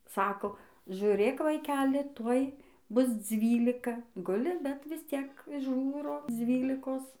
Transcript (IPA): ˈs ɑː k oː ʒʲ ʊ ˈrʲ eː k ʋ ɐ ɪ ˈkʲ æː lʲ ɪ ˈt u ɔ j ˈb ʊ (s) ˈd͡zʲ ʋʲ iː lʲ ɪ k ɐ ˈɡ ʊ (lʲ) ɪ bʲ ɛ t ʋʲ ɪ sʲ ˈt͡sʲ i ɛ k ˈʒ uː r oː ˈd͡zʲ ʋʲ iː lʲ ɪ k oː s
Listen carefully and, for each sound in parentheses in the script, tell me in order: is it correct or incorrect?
correct, correct

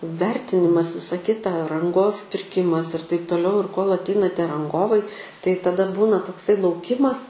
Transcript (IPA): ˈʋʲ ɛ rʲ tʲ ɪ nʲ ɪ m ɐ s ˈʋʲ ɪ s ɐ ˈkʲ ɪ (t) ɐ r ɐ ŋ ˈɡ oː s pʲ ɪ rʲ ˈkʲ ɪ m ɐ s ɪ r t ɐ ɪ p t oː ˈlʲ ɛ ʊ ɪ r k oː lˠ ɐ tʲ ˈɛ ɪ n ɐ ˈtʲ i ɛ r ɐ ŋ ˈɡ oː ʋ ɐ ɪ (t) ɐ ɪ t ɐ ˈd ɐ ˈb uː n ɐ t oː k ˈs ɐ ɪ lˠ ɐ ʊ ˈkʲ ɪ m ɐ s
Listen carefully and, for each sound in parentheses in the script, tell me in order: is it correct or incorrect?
correct, correct

